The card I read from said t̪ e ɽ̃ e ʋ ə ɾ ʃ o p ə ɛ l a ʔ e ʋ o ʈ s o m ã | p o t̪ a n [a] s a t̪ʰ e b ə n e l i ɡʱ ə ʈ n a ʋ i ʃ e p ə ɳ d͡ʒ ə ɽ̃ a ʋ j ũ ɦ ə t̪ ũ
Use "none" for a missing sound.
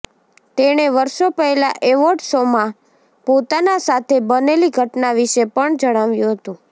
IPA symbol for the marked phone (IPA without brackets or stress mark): a